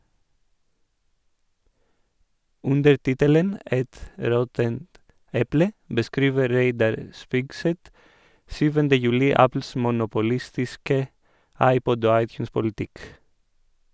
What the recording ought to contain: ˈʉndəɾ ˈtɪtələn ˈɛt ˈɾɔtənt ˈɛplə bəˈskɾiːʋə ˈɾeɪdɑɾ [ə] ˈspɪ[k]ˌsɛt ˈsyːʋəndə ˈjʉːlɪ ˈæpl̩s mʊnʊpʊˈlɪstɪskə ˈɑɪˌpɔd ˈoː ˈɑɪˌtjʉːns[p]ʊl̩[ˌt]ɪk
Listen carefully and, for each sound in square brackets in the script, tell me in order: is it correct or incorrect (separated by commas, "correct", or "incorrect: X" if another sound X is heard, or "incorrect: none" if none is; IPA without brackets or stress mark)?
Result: correct, incorrect: ɡ, correct, correct